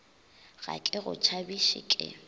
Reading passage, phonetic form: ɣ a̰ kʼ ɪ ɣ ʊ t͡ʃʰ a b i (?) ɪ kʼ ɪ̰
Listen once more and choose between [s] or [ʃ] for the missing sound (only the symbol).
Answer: ʃ